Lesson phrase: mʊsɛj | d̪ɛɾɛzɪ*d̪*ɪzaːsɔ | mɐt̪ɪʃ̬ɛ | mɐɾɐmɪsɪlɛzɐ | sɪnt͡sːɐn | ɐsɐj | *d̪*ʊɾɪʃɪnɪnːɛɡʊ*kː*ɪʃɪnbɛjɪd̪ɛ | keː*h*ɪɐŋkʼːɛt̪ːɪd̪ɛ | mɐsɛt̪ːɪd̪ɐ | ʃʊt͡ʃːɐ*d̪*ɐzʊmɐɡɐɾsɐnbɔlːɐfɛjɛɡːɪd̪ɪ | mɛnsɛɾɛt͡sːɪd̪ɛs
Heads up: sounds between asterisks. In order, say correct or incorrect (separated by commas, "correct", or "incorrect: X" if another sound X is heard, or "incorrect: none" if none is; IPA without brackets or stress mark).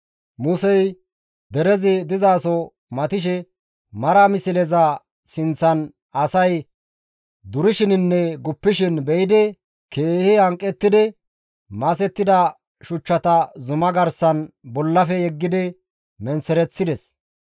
correct, correct, incorrect: pː, correct, incorrect: t̪